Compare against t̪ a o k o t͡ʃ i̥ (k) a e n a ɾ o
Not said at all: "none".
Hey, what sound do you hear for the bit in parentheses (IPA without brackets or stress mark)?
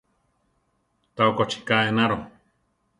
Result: k